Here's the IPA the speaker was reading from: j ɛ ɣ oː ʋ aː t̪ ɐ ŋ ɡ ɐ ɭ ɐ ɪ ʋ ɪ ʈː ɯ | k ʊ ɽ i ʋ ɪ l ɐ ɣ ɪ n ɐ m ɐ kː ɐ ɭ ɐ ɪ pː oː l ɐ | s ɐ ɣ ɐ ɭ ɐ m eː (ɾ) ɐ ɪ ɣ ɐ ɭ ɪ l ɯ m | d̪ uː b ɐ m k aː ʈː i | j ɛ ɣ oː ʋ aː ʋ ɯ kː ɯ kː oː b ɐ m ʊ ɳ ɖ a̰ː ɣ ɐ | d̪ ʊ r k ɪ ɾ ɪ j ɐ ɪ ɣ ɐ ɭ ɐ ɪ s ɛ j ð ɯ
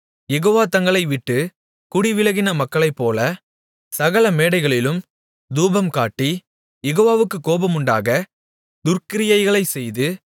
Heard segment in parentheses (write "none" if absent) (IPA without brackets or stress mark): ɽ